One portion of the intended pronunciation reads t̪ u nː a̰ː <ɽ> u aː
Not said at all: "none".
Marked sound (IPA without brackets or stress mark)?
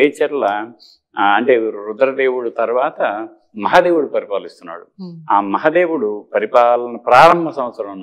ɽ